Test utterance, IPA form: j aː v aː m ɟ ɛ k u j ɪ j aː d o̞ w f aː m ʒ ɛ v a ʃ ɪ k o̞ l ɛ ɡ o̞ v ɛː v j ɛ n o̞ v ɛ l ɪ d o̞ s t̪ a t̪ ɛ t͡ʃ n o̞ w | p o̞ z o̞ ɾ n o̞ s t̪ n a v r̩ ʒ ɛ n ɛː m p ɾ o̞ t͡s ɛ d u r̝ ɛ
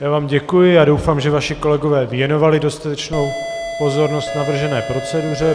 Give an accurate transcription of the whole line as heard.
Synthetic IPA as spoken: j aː v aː m ɟ ɛ k u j ɪ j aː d o̞ w f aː m ʒ ɛ v a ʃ ɪ k o̞ l ɛ ɡ o̞ v ɛː v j ɛ n o̞ v a l ɪ d o̞ s t̪ a t̪ ɛ t͡ʃ n o̞ w | p o̞ z o̞ ɾ n o̞ s t̪ n a v r̩ ʒ ɛ n ɛː p ɾ o̞ t͡s ɛ d u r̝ ɛ

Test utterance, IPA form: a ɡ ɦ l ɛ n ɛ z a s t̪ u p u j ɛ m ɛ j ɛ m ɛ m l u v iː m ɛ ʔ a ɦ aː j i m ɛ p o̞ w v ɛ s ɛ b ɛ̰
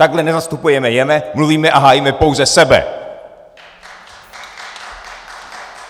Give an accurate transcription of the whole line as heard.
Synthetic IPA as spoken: a ɡ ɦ l ɛ n ɛ z a s t̪ u p u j ɛ m ɛ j ɛ m ɛ m l u v iː m ɛ ʔ a ɦ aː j i m ɛ p o̞ w z ɛ s ɛ b ɛ̰

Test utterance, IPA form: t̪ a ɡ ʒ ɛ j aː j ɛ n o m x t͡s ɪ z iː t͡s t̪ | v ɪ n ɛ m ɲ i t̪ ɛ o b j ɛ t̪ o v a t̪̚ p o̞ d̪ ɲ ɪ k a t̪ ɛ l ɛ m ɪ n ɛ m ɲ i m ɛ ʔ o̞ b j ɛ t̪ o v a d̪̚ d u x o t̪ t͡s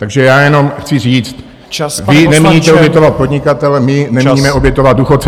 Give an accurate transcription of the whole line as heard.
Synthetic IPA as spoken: t̪ a ɡ ʒ ɛ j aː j ɛ n o m x t͡s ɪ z iː t͡s t̪ | v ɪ n ɛ m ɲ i t̪ ɛ o b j ɛ t̪ o v a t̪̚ p o̞ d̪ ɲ ɪ k a t̪ ɛ l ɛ m ɪ n ɛ m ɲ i m ɛ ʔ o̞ b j ɛ t̪ o v a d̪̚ d u x o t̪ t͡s

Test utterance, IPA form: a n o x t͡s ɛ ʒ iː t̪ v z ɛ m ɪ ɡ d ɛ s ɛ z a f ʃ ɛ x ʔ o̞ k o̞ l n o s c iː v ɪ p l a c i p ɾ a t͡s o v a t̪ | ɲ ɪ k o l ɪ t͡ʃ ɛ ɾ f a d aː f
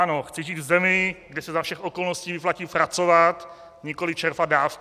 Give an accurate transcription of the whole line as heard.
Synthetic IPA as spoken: a n o x t͡s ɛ ʒ iː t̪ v z ɛ m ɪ ɡ d ɛ s ɛ z a f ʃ ɛ x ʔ o̞ k o̞ l n o s c iː v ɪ p l a c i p ɾ a t͡s o v a t̪ | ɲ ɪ k o l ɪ t͡ʃ ɛ ɾ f a d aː f

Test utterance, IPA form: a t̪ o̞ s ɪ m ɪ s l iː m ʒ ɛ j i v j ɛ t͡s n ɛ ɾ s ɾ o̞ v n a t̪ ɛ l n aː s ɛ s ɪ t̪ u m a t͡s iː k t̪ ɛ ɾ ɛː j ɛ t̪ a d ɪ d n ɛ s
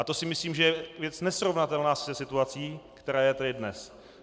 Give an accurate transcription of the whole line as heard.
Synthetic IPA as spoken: a t̪ o̞ s ɪ m ɪ s l iː m ʒ ɛ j ɛ v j ɛ t͡s n ɛ s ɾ o̞ v n a t̪ ɛ l n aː s ɛ s ɪ t̪ u a t͡s iː k t̪ ɛ ɾ aː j ɛ t̪ a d ɪ d n ɛ s

